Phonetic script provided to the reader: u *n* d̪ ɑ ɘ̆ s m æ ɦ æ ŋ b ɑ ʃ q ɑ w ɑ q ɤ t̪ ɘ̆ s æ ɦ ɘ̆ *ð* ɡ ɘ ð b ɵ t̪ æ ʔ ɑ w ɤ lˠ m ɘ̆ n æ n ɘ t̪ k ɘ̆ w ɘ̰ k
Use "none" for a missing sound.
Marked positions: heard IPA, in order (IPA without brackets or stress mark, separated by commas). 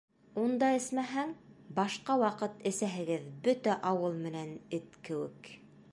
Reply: n, none